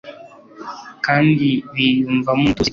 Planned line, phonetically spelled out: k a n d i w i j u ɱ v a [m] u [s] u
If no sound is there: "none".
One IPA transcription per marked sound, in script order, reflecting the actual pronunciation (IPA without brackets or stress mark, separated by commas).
m, t